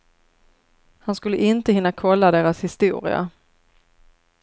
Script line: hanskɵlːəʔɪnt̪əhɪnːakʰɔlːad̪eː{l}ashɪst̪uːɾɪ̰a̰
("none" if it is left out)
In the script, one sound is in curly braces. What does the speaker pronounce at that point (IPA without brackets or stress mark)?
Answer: ɾ